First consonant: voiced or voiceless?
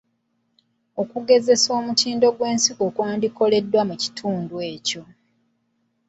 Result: voiceless